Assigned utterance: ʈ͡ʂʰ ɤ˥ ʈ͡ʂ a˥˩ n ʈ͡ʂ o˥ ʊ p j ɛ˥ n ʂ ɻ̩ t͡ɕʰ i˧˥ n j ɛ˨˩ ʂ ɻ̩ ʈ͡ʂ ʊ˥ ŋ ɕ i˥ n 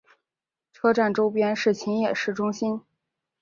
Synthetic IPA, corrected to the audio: ʈ͡ʂʰ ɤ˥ ʈ͡ʂ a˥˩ n ʈ͡ʂ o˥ ʊ p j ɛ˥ n ʂ ɻ̩ t͡ɕʰ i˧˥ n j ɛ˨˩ ʂ ɻ̩ ʈ͡ʂ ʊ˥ ŋ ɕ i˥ n